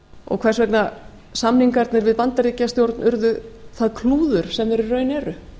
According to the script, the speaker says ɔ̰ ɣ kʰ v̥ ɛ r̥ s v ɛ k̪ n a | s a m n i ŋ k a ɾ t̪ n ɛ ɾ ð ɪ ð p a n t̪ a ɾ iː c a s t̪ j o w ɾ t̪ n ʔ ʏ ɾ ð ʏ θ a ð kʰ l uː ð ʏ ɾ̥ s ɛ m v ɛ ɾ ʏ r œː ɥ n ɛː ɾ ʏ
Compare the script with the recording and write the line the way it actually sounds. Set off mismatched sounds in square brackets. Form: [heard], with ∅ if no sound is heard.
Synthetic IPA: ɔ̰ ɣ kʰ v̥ ɛ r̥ s v ɛ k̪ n a | s a m n i ŋ k a ɾ t̪ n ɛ ɾ [v] ɪ ð p a n t̪ a ɾ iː c a s t̪ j o w ɾ t̪ n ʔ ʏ ɾ ð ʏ θ a ð kʰ l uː ð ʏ ɾ̥ s ɛ m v ɛ ɾ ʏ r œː ɥ n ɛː ɾ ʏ